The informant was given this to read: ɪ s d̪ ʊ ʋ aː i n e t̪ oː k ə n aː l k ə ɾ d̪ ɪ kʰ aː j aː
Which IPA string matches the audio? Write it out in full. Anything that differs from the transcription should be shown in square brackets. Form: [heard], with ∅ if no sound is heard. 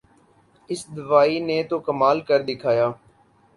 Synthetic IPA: ɪ s d̪ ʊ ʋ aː i n e t̪ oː k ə [m] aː l k ə ɾ d̪ ɪ kʰ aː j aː